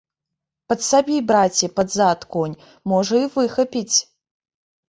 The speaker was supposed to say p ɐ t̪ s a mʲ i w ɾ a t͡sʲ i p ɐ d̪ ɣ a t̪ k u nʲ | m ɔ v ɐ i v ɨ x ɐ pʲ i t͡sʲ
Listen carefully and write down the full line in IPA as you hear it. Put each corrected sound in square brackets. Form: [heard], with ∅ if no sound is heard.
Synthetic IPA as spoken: p ɐ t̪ s a [bʲ] i [b] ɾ a t͡sʲ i p ɐ d̪ [z] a t̪ k [ɔ] nʲ | m ɔ [ʐ] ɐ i v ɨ x ɐ pʲ i t͡sʲ